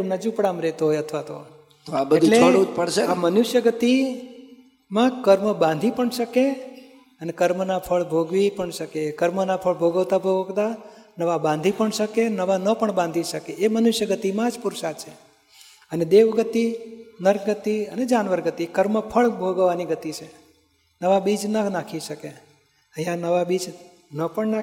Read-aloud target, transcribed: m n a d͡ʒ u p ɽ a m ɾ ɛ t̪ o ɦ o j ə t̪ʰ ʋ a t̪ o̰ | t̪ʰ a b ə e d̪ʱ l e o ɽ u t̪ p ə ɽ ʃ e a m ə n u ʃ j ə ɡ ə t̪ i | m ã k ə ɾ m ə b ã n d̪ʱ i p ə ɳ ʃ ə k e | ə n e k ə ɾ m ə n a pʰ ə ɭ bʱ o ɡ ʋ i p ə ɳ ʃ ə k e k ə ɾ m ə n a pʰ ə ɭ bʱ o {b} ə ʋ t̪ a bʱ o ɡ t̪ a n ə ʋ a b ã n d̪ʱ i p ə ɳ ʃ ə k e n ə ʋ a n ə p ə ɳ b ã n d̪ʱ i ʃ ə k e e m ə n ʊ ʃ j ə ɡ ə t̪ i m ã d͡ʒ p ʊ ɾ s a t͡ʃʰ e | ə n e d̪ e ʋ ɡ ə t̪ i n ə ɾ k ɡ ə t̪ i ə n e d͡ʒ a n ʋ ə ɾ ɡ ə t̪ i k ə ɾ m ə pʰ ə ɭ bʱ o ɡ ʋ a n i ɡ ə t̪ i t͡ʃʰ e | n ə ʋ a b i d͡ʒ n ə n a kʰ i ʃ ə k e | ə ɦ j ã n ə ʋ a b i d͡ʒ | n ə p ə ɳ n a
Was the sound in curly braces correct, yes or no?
no